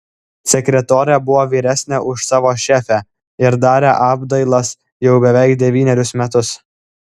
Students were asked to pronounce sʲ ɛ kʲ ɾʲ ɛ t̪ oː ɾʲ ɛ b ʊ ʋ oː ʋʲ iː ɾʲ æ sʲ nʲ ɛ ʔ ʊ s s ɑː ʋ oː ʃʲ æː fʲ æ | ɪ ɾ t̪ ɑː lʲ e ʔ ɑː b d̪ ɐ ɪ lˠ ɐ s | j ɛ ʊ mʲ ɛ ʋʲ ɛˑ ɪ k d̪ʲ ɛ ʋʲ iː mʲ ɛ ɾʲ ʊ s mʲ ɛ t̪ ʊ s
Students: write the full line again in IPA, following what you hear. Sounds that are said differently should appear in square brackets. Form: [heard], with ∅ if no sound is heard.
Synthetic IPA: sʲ ɛ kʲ ɾʲ ɛ t̪ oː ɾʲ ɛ b ʊ ʋ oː ʋʲ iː ɾʲ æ sʲ nʲ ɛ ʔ ʊ [ʃ] s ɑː ʋ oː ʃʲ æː fʲ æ | ɪ ɾ [d̪] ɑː [ɾʲ] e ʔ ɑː b d̪ ɐ ɪ lˠ ɐ s | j ɛ ʊ [bʲ] ɛ ʋʲ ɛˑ ɪ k d̪ʲ ɛ ʋʲ iː [nʲ] ɛ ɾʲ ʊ s mʲ ɛ t̪ ʊ s